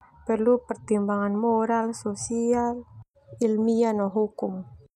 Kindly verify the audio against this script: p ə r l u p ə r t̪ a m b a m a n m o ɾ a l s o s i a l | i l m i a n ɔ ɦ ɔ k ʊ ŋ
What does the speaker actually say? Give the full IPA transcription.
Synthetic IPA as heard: p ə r l u p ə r t̪ i m b a ŋ a n m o ɾ a l s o s i a l | i l m i a n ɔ ɦ u k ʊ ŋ